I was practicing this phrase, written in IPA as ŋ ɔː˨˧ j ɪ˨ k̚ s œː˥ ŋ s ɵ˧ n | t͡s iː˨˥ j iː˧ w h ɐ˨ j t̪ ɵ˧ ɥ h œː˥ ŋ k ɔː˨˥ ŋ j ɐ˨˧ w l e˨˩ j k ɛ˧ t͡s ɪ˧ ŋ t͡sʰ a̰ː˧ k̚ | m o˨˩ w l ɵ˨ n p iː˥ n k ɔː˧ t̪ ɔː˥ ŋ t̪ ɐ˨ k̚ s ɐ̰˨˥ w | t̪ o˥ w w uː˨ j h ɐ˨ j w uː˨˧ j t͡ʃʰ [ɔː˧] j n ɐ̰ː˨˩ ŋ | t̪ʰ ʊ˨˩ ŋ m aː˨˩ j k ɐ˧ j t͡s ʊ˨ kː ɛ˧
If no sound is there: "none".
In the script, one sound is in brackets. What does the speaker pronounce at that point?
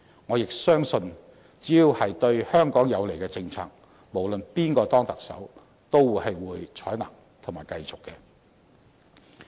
ɔː˨˥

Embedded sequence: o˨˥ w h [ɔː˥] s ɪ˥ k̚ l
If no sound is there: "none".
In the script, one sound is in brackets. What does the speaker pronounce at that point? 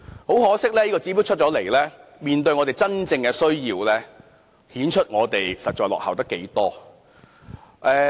ɔː˨˥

